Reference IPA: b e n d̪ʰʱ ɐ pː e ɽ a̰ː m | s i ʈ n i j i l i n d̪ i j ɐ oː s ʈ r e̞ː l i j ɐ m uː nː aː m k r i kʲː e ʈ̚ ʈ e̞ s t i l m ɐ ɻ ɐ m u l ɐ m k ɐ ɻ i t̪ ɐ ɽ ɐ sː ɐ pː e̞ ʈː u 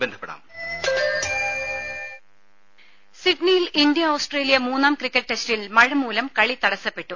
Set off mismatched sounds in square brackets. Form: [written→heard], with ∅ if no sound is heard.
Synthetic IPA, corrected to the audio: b e n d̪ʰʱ ɐ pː e ɽ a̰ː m | s i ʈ n i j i l i n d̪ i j ɐ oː s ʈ r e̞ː l i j ɐ m uː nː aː m k r i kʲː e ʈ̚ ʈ e̞ s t i l m ɐ ɻ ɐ m [u→uː] l ɐ m k ɐ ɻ i t̪ ɐ ɽ ɐ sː ɐ pː e̞ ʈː u

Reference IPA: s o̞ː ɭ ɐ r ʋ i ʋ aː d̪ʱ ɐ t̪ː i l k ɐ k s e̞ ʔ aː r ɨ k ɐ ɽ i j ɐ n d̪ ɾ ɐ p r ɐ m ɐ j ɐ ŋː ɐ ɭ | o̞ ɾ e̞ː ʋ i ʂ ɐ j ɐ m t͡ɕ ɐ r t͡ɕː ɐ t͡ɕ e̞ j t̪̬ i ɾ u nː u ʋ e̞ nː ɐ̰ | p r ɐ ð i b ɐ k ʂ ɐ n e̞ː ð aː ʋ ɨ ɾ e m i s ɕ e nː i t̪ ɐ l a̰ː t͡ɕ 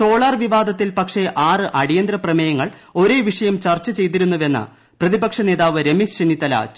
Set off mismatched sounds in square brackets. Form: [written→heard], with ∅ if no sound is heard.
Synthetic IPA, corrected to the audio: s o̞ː ɭ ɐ r ʋ i ʋ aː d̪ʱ ɐ t̪ː i l [k→p] ɐ k [s→ʂ] e̞ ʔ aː r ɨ [k→ʔ] ɐ ɽ i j ɐ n d̪ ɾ ɐ p r ɐ m ɐ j ɐ ŋː ɐ ɭ | o̞ ɾ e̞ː ʋ i ʂ ɐ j ɐ m t͡ɕ ɐ r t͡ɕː ɐ t͡ɕ e̞ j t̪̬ i ɾ u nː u ʋ e̞ nː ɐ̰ | p r ɐ ð i b ɐ k ʂ ɐ n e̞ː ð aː ʋ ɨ ɾ e m i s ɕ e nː i t̪ ɐ l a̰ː t͡ɕ

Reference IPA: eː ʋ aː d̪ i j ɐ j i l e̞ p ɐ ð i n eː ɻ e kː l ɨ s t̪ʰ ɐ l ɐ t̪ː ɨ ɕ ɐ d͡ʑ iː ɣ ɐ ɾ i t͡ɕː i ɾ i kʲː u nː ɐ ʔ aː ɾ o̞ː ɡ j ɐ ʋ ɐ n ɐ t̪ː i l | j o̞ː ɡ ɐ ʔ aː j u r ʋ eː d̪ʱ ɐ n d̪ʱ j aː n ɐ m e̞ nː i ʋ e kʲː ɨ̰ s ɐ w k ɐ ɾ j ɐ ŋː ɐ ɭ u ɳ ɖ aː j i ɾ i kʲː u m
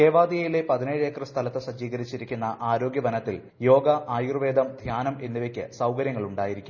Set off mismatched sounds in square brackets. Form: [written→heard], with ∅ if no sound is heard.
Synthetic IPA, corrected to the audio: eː ʋ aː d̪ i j ɐ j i l e̞ p ɐ ð i n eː ɻ e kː [l→r] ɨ s t̪ʰ ɐ l ɐ t̪ː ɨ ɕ ɐ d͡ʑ iː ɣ ɐ ɾ i t͡ɕː i ɾ i kʲː u nː ɐ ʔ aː ɾ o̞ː ɡ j ɐ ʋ ɐ n ɐ t̪ː i l | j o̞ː ɡ ɐ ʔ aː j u r ʋ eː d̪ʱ ɐ [n→m] d̪ʱ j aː n ɐ m e̞ nː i ʋ e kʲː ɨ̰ s ɐ w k ɐ ɾ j ɐ ŋː ɐ ɭ u ɳ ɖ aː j i ɾ i kʲː u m

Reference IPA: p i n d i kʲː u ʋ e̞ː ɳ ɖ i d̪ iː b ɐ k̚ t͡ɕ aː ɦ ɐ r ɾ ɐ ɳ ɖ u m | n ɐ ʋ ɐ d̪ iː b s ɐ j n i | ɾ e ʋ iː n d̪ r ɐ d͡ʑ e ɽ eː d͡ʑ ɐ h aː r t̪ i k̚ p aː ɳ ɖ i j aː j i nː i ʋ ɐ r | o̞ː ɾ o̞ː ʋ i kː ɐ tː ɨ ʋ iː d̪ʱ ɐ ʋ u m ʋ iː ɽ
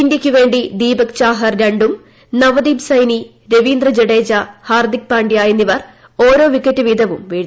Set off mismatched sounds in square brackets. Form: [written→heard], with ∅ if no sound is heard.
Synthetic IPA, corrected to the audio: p i n d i kʲː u ʋ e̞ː ɳ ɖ i d̪ iː b ɐ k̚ t͡ɕ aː ɦ ɐ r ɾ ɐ ɳ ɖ u m | n ɐ ʋ ɐ d̪ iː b s ɐ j n i | ɾ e ʋ iː n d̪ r ɐ d͡ʑ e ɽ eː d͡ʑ ɐ h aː r [t̪→d̪] i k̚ p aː ɳ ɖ i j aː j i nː i ʋ ɐ r | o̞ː ɾ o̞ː ʋ i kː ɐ tː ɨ ʋ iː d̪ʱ ɐ ʋ u m ʋ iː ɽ

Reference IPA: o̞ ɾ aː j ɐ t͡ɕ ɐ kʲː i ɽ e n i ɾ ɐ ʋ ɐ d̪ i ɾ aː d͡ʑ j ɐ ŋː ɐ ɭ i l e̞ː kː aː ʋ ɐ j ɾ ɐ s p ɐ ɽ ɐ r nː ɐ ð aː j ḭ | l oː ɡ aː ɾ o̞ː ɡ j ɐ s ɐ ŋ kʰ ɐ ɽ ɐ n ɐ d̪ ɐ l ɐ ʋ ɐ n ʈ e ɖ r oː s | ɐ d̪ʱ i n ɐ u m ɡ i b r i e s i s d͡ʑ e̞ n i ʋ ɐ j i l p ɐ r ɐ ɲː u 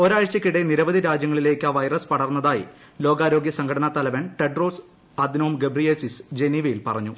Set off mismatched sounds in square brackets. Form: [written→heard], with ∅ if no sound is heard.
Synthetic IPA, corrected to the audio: o̞ ɾ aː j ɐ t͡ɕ ɐ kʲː i ɽ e n i ɾ ɐ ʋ ɐ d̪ i ɾ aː d͡ʑ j ɐ ŋː ɐ ɭ i l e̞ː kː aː ʋ ɐ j [ɾ→r] ɐ s p ɐ ɽ ɐ r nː ɐ ð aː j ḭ | l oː ɡ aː ɾ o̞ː ɡ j ɐ s ɐ ŋ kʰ ɐ ɽ ɐ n ɐ [d̪→t̪] ɐ l ɐ ʋ ɐ n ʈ e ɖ r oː s | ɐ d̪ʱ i n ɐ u m ɡ [i→e] b r i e s i s d͡ʑ e̞ n i ʋ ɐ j i l p ɐ r ɐ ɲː u

